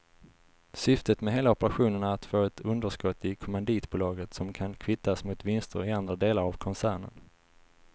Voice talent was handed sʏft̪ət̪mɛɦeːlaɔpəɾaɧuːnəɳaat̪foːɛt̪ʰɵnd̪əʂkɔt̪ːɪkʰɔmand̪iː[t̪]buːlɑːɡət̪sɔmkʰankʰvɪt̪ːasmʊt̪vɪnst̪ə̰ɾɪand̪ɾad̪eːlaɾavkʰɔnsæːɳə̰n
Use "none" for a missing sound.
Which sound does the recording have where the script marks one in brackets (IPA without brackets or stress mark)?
t̪